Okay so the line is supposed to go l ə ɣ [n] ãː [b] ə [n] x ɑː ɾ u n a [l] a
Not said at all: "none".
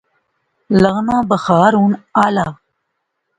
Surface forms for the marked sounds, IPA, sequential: n, b, none, l

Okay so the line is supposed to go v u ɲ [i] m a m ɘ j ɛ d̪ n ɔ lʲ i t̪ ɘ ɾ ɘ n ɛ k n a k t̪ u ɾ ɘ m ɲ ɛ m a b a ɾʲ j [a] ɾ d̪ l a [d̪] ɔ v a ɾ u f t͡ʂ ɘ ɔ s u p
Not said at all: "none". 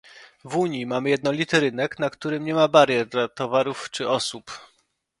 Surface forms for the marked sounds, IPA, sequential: i, ɛ, t̪

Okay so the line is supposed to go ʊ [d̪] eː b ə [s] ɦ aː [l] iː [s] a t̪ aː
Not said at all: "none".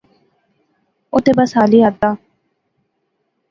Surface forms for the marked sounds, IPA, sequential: t̪, s, l, none

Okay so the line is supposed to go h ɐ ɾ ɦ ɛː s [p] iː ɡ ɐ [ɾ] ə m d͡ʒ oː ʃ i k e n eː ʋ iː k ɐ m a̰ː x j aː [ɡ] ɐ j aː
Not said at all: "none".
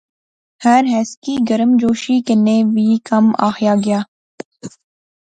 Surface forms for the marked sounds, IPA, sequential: k, ɾ, ɡ

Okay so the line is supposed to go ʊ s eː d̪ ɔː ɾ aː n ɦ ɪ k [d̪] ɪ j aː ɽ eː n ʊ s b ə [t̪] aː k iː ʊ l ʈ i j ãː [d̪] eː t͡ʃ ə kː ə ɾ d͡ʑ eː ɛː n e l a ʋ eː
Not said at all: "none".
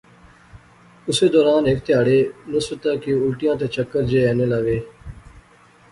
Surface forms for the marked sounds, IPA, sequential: t̪, t̪, t̪

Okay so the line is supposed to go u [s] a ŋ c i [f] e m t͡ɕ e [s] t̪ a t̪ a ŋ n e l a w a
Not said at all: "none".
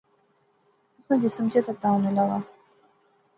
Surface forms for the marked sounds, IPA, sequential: s, s, none

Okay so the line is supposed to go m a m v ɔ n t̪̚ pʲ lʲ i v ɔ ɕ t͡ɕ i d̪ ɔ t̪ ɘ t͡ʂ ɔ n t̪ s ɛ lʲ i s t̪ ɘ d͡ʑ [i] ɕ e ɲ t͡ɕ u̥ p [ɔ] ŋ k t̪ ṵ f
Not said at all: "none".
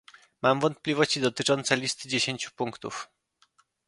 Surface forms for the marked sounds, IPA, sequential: e, u

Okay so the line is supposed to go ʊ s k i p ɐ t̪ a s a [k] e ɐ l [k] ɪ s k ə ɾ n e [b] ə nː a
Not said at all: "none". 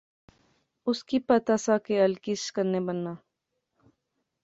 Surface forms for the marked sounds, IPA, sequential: k, k, b

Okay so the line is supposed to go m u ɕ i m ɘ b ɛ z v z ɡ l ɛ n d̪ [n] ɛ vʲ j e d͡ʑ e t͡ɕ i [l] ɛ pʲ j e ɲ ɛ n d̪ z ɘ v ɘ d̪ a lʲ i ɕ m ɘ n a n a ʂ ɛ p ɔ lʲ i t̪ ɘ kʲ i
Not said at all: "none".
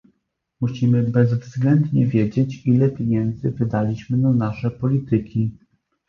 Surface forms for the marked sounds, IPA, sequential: ɲ, l

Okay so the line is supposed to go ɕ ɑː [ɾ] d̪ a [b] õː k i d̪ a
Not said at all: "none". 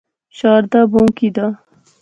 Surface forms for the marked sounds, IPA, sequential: ɾ, b

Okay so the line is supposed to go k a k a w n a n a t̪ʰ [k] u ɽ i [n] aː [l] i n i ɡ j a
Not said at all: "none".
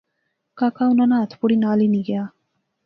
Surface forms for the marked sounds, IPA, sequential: p, n, l

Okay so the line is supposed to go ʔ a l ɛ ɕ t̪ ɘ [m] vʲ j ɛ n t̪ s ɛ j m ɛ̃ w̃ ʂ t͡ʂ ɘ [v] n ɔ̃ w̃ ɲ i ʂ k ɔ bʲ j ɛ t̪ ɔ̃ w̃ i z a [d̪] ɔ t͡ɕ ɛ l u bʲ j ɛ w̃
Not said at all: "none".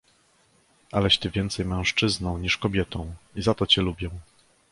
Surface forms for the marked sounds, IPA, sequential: none, z, t̪

